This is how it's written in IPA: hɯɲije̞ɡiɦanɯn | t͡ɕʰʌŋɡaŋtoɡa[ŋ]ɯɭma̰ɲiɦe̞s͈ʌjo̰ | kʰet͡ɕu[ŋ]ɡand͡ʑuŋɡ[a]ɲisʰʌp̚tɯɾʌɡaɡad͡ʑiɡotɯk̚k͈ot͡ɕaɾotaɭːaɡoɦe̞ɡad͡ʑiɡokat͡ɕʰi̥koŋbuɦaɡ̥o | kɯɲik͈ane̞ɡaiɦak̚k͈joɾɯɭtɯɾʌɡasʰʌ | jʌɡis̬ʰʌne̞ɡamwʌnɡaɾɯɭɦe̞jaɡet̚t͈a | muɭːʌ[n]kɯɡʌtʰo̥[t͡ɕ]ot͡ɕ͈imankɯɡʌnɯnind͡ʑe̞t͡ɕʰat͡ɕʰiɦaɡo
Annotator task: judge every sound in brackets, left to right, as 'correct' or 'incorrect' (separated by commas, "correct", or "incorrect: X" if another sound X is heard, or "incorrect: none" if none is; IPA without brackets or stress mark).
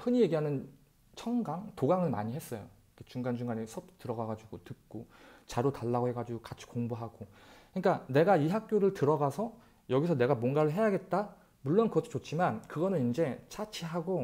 correct, correct, correct, correct, correct